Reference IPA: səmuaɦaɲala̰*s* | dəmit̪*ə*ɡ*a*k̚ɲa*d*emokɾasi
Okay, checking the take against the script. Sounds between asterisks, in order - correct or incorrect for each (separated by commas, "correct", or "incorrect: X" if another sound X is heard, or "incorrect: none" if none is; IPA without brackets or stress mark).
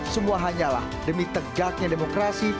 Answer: incorrect: h, correct, correct, correct